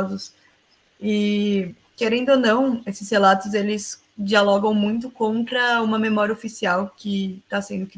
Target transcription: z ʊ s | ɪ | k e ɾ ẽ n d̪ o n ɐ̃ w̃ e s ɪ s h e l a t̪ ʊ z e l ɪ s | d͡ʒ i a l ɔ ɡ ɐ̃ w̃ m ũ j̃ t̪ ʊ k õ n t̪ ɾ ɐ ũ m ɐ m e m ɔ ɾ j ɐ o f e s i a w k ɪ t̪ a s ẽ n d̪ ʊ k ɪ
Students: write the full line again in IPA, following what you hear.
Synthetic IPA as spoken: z ʊ s | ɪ | k e ɾ ẽ n d̪ o n ɐ̃ w̃ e s ɪ s h e l a t̪ ʊ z e l ɪ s | d͡ʒ i a l ɔ ɡ ɐ̃ w̃ m ũ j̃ t̪ ʊ k õ n t̪ ɾ ɐ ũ m ɐ m e m ɔ ɾ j ɐ o f i s i a w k ɪ t̪ a s ẽ n d̪ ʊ k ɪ